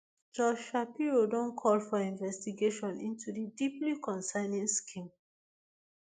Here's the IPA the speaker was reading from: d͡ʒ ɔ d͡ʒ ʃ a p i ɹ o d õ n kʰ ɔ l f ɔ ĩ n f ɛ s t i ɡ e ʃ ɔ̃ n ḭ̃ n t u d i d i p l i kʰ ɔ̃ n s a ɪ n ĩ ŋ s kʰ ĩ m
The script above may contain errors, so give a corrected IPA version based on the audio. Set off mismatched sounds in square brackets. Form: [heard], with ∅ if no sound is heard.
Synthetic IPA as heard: d͡ʒ ɔ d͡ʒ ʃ a p i ɹ o d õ n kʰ ɔ l f ɔ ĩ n [v] ɛ s t i ɡ e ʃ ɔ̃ n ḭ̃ n t u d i d i p l i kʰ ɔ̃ n s a ɪ n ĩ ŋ s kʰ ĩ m